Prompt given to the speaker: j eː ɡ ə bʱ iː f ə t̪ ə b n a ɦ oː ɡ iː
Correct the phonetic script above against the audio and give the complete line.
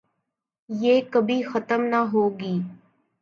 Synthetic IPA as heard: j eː k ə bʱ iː x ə t̪ ə m n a ɦ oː ɡ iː